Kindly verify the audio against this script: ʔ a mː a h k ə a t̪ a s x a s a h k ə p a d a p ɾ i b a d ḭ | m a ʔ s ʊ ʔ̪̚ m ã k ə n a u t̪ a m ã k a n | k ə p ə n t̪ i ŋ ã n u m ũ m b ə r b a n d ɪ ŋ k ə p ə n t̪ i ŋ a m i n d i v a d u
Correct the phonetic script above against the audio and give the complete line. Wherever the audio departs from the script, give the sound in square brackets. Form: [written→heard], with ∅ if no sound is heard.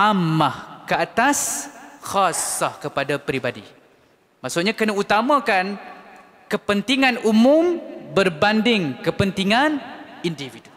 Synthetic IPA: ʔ a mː a h k ə a t̪ a s x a s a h k ə p a d a p ɾ i b a d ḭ | m a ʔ s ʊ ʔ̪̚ [m→ɲ] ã k ə n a u t̪ a m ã k a n | k ə p ə n t̪ i ŋ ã n u m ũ m b ə r b a n d ɪ ŋ k ə p ə n t̪ i ŋ a [m→n] i n d i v [a→i] d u